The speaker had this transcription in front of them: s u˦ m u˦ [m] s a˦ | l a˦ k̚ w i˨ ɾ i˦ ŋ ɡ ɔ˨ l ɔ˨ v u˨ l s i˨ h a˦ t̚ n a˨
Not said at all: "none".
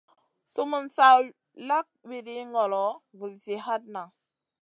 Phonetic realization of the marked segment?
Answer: n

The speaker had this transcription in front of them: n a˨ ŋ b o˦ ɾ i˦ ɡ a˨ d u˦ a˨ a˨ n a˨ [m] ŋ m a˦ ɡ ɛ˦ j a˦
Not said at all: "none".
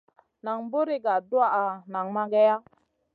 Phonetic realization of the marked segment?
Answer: none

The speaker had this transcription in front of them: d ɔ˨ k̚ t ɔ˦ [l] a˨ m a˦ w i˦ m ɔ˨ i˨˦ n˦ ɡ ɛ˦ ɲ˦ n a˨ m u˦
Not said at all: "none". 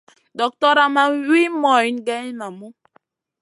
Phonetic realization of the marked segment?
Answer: ɾ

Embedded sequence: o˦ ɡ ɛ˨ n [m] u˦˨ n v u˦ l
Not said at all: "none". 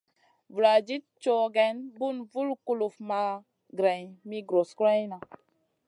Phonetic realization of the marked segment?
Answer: b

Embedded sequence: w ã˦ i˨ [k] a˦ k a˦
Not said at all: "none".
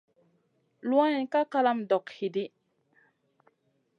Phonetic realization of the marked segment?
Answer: k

